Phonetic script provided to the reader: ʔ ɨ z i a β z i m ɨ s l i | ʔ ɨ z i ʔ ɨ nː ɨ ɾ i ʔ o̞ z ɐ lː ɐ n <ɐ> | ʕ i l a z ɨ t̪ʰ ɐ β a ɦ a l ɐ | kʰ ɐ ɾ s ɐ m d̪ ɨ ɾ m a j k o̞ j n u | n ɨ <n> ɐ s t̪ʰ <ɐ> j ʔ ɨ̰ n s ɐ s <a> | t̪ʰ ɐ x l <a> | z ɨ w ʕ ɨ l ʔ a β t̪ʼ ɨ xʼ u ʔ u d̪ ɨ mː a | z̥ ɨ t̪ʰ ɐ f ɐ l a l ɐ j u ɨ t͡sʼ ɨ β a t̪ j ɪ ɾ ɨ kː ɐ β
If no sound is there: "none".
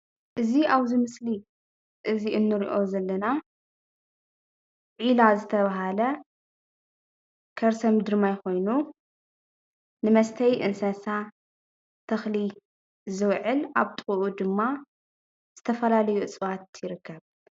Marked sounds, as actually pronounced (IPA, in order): a, m, ɐ, a, i

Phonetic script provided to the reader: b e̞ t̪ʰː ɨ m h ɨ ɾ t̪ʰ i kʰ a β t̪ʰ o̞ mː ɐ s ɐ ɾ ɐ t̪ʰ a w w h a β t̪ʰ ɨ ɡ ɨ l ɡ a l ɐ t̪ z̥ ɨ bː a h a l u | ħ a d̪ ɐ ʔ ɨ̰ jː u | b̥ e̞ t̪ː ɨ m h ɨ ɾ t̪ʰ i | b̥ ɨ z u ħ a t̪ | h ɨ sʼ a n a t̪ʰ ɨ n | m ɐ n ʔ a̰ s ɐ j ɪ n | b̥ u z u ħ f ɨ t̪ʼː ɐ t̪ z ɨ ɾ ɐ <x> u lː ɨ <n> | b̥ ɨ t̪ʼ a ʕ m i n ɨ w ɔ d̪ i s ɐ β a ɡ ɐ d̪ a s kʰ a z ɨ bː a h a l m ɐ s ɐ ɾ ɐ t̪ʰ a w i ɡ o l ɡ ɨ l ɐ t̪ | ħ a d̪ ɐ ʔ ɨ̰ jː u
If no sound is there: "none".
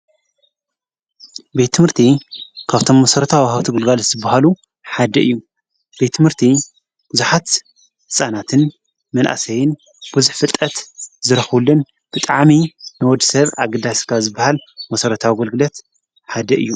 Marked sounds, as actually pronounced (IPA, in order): x, n

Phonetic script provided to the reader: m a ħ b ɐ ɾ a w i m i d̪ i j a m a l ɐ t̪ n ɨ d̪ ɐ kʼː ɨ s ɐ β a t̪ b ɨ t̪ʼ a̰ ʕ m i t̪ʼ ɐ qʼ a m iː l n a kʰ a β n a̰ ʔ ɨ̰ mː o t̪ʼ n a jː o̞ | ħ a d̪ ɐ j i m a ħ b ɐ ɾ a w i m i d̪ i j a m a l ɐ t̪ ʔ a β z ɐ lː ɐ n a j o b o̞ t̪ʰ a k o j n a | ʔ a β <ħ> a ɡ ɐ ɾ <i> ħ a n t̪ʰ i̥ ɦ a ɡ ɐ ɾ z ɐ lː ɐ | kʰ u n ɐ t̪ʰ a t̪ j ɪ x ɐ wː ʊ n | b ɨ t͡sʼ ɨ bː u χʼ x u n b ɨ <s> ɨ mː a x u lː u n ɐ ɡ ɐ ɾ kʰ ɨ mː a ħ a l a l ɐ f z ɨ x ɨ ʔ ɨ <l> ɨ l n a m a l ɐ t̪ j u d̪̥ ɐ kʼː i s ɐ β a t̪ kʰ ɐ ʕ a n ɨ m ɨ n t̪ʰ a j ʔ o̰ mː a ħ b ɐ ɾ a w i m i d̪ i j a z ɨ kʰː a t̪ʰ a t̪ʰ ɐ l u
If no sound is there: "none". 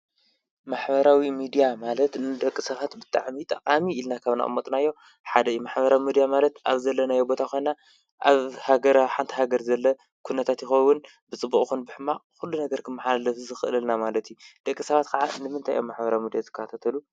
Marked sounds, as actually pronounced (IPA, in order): h, a, ħ, l

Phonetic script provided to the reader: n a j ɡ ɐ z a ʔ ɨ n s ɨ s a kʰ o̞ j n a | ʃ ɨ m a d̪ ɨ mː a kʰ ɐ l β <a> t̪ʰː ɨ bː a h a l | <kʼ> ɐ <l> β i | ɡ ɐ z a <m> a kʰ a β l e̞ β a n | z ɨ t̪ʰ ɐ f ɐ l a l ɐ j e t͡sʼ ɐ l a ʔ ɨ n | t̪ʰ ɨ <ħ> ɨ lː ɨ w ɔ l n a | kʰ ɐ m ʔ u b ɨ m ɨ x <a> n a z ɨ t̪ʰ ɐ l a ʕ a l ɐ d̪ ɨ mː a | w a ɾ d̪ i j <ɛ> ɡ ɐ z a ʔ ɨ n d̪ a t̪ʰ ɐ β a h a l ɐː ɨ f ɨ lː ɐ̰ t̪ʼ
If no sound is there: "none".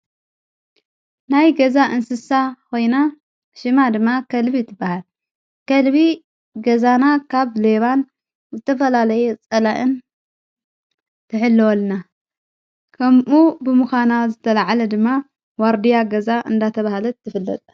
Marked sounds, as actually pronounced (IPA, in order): i, k, l, n, ħ, a, a

